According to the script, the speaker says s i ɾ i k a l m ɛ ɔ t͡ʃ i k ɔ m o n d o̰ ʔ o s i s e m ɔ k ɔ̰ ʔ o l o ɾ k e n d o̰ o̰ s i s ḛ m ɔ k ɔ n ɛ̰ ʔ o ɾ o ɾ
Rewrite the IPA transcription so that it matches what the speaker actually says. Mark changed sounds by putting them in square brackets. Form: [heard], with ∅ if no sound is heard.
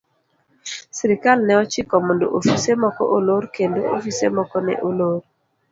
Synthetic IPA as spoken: s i ɾ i k a l [n] ɛ ɔ t͡ʃ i k ɔ m o n d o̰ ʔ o [f] i s e m ɔ k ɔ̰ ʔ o l o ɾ k e n d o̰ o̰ [f] i s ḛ m ɔ k ɔ n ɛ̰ ʔ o [l] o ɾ